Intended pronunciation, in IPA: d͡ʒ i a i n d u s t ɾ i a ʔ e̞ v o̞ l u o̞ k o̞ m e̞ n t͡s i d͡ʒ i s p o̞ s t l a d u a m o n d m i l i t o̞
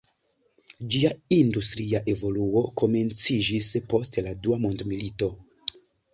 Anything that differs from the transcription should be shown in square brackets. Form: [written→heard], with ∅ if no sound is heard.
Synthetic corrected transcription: d͡ʒ i a i n d u s t ɾ i a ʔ e̞ v o̞ l u o̞ k o̞ m e̞ n t͡s i d͡ʒ i s p o̞ s t l a d u a m o n d m i l i t o̞